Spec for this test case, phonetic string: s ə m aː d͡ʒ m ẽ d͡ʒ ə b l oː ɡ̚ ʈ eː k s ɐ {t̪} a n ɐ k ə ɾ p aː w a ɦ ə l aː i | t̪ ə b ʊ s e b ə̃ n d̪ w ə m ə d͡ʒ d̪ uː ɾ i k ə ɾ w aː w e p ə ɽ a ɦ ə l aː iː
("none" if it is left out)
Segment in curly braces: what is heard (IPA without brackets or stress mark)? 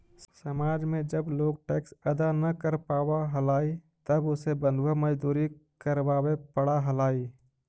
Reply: d̪